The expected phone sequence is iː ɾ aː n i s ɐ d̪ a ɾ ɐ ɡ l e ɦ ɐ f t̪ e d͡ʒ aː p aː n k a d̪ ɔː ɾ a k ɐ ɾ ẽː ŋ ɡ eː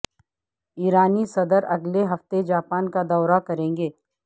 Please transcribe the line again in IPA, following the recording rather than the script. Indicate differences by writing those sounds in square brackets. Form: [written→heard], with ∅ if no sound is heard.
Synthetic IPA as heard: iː ɾ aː n i s ɐ d̪ [a→ə] ɾ ɐ ɡ l e ɦ ɐ f t̪ e d͡ʒ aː p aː n k a d̪ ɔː ɾ a k ɐ ɾ ẽː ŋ ɡ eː